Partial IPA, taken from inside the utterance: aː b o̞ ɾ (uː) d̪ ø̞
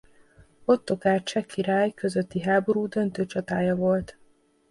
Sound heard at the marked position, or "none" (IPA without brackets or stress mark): uː